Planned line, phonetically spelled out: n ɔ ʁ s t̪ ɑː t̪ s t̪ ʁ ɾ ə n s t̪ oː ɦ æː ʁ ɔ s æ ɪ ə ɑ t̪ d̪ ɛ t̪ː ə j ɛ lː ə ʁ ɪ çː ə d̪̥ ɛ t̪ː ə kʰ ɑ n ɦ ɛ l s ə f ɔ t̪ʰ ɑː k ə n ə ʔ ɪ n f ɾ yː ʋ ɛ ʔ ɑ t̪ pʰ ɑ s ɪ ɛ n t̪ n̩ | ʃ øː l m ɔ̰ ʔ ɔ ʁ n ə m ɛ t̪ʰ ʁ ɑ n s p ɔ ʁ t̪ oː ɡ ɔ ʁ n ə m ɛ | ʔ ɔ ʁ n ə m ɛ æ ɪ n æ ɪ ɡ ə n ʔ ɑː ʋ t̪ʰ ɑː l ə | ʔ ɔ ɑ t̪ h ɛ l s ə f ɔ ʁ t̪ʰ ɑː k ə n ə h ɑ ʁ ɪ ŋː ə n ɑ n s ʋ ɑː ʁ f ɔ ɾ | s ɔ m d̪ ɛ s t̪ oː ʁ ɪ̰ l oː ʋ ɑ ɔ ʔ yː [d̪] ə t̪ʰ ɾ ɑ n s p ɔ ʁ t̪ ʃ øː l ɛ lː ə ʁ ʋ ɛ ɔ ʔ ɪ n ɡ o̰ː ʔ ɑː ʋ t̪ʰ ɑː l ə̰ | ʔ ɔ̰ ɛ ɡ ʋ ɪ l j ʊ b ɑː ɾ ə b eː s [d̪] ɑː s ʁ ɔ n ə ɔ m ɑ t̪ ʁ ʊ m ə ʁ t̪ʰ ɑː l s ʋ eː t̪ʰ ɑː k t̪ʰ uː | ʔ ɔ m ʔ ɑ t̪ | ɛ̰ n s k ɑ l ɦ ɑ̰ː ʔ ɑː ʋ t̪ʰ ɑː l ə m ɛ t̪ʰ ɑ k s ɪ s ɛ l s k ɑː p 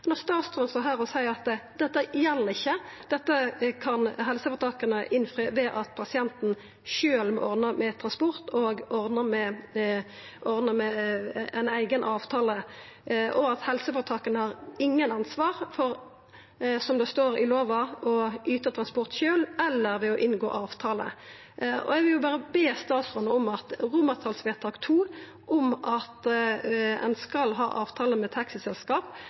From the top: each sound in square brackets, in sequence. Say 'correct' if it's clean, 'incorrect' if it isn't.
incorrect, incorrect

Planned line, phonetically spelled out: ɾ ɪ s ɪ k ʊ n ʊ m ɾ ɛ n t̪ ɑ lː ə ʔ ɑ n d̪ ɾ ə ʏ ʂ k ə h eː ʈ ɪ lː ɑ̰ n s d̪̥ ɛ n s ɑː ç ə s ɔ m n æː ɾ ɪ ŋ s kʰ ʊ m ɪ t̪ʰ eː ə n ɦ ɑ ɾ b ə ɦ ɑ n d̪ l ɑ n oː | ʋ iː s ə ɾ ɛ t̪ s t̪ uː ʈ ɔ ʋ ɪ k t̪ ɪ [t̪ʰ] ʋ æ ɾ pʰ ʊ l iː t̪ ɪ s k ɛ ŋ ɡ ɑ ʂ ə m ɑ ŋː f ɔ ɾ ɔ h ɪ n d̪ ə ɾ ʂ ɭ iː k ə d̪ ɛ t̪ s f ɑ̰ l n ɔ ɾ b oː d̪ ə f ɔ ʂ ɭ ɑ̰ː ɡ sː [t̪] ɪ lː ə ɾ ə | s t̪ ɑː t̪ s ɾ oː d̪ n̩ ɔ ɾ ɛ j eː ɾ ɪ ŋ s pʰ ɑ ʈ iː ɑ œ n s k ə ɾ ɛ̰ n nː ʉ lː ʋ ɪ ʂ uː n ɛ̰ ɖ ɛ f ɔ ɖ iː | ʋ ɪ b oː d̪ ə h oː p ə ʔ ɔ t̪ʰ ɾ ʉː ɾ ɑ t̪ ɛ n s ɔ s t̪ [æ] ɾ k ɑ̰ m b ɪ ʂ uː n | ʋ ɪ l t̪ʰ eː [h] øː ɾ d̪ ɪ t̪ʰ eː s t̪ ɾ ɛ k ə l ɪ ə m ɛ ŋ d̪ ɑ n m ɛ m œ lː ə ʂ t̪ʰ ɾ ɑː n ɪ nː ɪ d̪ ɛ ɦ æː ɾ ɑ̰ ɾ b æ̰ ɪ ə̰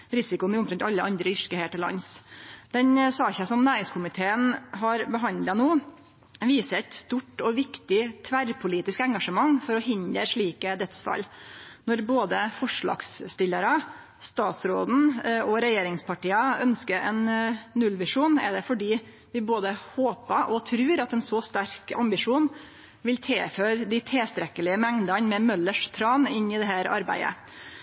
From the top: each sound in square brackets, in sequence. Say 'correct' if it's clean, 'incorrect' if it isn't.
correct, correct, correct, incorrect

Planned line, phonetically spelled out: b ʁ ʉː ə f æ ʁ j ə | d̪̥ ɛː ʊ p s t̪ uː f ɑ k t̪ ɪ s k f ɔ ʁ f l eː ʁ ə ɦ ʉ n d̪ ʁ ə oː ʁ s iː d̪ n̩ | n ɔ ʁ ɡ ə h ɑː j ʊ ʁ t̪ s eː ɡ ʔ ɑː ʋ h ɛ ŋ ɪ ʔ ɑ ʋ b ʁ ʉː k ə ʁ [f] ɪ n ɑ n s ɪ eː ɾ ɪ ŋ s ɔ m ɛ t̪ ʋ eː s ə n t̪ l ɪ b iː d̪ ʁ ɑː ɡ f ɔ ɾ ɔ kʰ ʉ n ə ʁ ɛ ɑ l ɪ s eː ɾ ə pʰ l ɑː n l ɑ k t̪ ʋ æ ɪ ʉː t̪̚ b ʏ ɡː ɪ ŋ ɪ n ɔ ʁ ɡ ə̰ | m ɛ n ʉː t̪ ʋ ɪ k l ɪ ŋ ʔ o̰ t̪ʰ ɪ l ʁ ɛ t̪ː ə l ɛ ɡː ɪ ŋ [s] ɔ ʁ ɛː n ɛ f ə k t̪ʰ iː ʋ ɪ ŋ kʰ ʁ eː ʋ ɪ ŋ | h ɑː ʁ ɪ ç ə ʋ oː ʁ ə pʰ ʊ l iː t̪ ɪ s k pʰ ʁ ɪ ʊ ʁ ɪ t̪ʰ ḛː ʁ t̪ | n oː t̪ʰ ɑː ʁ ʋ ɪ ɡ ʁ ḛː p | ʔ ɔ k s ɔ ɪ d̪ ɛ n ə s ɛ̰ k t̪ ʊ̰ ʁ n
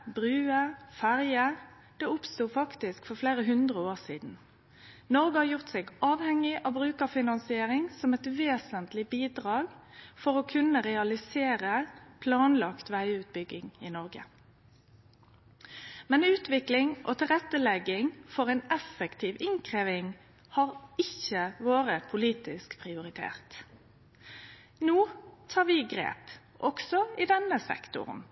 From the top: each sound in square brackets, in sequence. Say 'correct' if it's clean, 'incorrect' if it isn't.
correct, incorrect

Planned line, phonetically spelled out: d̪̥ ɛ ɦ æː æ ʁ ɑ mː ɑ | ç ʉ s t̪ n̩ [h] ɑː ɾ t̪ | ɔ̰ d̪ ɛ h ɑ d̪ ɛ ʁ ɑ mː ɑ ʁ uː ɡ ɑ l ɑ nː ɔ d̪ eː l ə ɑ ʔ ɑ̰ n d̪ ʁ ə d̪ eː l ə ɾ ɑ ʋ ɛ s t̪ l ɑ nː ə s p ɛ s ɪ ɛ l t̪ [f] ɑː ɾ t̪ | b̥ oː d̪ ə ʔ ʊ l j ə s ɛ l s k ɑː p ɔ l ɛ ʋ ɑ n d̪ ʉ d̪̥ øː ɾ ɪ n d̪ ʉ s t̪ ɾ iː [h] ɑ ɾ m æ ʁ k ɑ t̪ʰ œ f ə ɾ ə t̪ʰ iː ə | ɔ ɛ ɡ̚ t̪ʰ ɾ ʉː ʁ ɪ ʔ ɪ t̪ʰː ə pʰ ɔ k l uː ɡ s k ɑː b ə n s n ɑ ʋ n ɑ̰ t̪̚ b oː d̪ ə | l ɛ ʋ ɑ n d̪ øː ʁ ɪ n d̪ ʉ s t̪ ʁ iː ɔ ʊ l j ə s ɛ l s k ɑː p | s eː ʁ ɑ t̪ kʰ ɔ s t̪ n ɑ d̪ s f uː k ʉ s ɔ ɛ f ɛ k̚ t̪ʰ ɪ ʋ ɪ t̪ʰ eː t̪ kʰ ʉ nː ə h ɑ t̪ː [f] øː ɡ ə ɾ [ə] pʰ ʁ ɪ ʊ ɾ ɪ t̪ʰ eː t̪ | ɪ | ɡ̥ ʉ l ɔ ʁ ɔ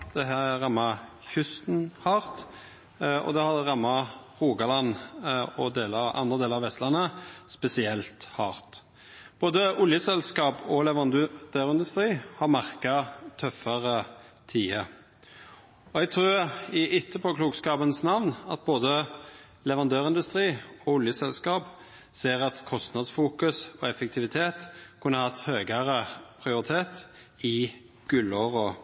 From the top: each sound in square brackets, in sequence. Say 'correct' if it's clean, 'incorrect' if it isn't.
correct, incorrect, correct, incorrect, correct

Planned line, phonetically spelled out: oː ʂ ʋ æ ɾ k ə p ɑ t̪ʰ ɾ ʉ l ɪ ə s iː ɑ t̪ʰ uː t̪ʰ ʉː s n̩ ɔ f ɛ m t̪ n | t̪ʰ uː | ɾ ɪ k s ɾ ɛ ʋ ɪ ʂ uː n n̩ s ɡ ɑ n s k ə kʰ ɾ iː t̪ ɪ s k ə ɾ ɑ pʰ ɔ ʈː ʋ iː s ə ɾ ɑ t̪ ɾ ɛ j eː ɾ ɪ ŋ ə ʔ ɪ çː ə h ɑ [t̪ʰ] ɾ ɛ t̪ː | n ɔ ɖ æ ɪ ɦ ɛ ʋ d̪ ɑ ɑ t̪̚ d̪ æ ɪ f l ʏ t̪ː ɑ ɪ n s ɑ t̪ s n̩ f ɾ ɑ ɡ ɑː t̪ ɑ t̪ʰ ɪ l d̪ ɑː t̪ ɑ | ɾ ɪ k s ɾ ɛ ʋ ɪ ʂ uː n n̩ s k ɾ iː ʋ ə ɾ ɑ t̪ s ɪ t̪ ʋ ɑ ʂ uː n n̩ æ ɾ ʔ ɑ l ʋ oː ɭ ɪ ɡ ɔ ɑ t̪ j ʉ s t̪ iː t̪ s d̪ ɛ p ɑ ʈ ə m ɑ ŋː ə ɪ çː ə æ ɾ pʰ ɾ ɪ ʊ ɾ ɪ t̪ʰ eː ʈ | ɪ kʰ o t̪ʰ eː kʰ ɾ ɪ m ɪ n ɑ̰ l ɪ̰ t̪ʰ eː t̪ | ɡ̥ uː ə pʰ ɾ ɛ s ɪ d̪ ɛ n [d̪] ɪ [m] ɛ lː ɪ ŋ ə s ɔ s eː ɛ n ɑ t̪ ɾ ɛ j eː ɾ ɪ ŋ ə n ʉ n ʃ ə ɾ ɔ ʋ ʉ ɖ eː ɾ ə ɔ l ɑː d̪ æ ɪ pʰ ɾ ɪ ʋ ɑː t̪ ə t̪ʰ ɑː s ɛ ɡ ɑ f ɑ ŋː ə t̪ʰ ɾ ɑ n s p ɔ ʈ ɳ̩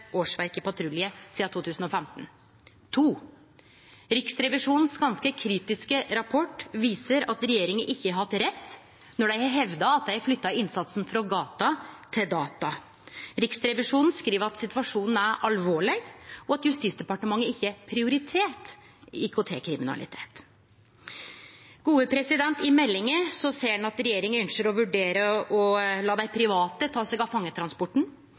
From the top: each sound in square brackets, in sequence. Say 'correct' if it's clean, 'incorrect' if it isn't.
incorrect, incorrect, correct

